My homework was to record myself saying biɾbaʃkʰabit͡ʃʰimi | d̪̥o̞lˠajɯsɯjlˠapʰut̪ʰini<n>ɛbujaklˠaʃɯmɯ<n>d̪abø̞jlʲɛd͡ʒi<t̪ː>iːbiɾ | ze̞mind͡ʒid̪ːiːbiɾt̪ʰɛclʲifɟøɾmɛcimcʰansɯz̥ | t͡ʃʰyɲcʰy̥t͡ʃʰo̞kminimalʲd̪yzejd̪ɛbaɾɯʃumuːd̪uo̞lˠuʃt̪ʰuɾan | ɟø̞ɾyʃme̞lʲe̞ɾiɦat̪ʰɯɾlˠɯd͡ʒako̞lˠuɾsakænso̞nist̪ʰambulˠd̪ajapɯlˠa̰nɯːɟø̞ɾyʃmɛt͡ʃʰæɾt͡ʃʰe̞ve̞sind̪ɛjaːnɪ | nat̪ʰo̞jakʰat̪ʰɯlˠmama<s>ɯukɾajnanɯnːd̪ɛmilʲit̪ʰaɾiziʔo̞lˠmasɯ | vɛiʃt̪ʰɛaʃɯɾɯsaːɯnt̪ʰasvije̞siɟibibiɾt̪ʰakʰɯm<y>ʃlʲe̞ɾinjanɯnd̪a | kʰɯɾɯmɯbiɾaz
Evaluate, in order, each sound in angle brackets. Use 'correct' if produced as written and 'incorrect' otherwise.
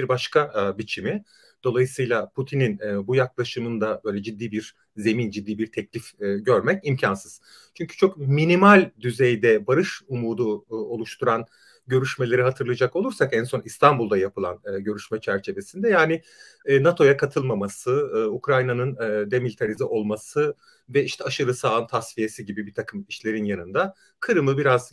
correct, correct, incorrect: d̪ː, correct, incorrect: i

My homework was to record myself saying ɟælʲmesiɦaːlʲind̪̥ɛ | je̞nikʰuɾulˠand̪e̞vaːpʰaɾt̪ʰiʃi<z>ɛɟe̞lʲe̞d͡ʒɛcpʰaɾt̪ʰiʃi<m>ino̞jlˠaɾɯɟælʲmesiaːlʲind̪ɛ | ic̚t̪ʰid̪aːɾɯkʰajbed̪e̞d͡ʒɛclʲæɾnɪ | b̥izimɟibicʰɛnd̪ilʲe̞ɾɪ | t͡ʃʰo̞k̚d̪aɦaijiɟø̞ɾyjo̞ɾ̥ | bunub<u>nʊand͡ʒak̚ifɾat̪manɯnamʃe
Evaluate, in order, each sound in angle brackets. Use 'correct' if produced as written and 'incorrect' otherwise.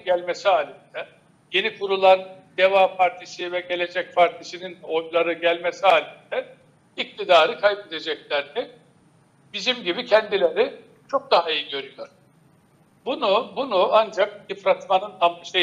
incorrect: v, incorrect: n, correct

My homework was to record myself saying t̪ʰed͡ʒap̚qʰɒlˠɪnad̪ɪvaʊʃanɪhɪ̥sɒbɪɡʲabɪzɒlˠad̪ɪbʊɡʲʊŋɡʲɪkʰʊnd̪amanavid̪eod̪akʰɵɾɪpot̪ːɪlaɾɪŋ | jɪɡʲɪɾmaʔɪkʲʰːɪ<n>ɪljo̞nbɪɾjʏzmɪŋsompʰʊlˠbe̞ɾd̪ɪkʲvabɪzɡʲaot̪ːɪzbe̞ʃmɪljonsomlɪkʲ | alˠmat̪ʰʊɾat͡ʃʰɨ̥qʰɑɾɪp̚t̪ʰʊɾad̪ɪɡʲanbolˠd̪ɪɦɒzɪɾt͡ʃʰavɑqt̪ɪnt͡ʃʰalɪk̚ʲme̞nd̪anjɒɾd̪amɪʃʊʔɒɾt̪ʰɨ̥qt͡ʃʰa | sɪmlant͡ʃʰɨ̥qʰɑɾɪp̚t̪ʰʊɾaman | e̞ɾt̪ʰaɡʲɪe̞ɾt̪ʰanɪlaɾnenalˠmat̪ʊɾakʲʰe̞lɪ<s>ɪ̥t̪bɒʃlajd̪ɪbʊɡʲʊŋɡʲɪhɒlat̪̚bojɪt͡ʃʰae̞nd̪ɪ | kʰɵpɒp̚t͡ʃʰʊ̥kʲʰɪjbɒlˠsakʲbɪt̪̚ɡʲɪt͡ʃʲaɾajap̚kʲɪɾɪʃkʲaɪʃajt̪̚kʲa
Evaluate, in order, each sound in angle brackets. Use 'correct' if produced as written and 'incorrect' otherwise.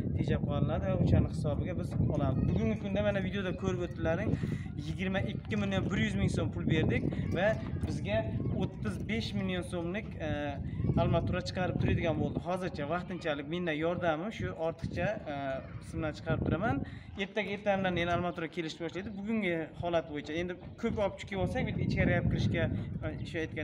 incorrect: m, incorrect: ʃ

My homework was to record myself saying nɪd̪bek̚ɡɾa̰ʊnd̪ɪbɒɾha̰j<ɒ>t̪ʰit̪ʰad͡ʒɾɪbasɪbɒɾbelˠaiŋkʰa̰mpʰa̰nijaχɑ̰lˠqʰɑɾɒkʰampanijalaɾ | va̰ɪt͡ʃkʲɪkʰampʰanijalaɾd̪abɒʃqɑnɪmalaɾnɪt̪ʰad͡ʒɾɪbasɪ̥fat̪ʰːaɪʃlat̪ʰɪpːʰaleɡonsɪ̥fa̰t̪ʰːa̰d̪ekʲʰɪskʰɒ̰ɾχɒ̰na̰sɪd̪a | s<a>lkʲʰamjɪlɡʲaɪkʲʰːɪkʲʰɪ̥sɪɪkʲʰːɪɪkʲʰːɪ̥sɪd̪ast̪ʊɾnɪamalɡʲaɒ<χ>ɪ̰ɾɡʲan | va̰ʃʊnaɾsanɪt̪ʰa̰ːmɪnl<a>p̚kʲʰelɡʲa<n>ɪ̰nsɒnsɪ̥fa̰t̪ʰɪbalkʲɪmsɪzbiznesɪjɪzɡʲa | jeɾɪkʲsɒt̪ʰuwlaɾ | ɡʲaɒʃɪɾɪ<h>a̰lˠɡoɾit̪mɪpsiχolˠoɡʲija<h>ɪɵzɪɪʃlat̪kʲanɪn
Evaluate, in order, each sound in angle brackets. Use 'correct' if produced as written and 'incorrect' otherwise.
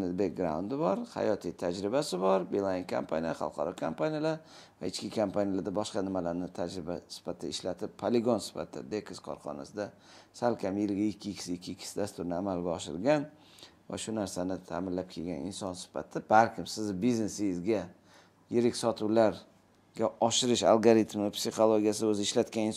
correct, correct, incorrect: ʃ, correct, correct, incorrect: ʃ, incorrect: s

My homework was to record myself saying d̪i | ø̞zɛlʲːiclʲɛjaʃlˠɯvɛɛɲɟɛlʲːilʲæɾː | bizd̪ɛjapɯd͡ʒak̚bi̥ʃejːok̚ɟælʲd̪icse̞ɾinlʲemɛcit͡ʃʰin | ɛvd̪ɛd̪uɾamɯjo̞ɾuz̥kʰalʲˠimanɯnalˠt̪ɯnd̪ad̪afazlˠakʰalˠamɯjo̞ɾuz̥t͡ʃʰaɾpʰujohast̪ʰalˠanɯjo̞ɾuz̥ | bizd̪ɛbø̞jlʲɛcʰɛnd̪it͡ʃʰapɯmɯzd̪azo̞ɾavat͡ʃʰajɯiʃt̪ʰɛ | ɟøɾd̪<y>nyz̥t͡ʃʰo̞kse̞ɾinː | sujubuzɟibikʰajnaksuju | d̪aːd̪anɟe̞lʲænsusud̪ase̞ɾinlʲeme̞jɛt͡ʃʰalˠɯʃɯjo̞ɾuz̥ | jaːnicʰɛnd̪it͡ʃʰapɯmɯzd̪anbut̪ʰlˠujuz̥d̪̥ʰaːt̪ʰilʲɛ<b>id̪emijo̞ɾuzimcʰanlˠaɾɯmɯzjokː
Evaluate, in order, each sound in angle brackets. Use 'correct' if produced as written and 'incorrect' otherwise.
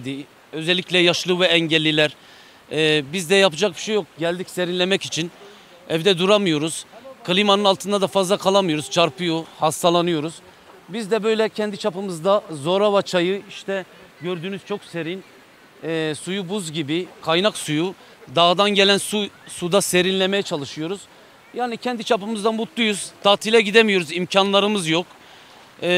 incorrect: yː, incorrect: ɟ

